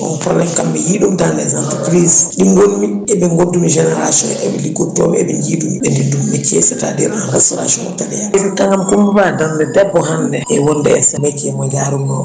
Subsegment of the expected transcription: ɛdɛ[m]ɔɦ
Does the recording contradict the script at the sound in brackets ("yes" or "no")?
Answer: yes